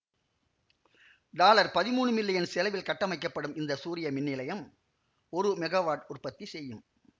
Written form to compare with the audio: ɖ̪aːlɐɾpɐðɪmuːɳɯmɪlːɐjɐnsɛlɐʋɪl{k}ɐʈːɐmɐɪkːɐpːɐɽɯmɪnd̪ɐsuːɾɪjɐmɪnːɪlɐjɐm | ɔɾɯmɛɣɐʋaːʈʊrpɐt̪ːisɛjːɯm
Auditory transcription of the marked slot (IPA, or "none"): k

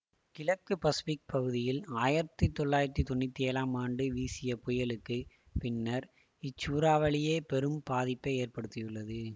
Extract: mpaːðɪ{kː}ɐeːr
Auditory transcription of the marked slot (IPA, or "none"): pː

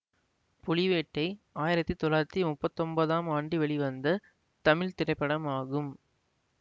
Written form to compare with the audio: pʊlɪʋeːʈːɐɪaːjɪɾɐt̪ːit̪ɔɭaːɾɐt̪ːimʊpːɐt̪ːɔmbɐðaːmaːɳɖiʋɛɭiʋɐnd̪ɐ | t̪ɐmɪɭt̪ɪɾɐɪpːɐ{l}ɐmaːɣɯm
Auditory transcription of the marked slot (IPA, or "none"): ɽ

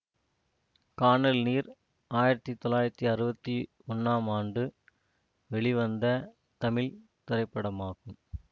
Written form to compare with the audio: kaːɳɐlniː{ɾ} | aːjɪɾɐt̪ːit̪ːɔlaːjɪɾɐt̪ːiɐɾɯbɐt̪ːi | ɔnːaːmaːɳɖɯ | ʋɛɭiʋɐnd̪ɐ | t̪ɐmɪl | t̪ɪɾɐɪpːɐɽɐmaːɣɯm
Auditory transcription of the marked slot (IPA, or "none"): ɾ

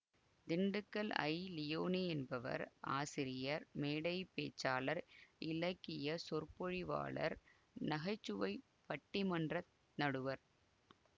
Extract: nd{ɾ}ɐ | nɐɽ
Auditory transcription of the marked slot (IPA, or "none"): r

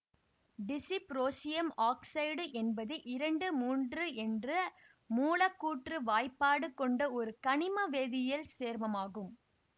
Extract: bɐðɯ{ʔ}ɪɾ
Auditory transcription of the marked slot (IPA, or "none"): ʔ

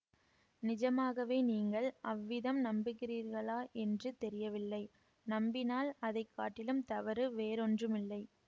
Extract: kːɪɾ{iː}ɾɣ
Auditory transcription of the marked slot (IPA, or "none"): iː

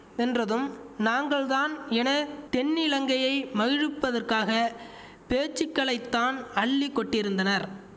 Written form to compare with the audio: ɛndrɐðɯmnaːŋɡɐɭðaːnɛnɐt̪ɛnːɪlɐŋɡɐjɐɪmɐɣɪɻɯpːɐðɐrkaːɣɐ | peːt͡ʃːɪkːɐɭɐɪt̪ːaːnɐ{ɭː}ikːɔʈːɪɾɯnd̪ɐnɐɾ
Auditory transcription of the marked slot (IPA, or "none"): ɭː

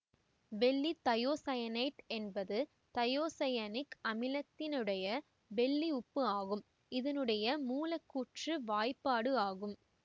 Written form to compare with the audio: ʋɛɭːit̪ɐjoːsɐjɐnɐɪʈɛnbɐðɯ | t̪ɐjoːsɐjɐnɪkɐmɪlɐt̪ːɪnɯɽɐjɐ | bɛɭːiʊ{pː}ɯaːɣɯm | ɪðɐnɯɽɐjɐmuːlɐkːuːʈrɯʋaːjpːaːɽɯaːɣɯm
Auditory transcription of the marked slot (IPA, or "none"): pː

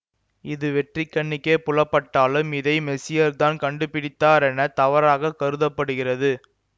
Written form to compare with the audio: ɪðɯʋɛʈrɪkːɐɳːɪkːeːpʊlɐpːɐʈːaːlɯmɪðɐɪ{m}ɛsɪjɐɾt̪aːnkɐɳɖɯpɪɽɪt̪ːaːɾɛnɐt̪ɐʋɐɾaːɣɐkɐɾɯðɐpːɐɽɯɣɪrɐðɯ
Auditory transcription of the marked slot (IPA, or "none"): m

